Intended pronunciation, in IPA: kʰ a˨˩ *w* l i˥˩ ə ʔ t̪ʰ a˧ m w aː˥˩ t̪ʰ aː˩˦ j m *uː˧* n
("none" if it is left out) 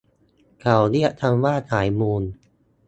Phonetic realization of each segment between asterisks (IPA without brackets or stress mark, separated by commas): w, uː˧